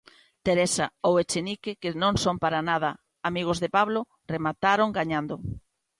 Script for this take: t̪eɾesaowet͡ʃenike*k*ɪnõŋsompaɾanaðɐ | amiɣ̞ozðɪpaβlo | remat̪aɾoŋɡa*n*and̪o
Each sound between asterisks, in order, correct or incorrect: correct, incorrect: ɲ

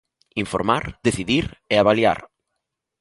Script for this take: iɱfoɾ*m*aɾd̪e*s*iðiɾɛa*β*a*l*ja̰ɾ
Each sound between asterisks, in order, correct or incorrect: correct, incorrect: θ, correct, correct

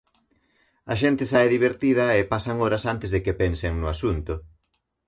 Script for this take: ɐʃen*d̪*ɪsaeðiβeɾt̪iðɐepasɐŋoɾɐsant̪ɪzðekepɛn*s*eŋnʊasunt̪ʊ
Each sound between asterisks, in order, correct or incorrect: incorrect: t̪, correct

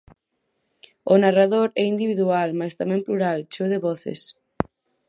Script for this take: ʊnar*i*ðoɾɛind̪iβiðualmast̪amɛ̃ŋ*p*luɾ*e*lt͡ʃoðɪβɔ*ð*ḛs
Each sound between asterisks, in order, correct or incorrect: incorrect: a, correct, incorrect: a, incorrect: θ

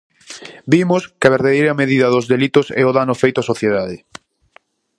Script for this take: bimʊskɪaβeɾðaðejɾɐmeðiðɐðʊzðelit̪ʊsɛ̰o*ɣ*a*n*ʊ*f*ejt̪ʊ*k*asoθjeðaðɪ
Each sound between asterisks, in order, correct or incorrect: incorrect: ð, correct, correct, incorrect: none

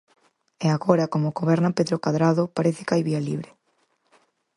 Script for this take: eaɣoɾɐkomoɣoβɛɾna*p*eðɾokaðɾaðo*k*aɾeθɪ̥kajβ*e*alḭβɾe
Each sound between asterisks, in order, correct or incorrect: correct, incorrect: p, incorrect: i

